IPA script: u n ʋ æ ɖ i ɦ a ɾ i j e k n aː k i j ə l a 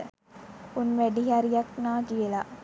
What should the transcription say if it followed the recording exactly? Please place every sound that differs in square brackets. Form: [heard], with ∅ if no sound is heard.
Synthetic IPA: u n ʋ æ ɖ i ɦ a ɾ i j [a] k n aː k i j ə l a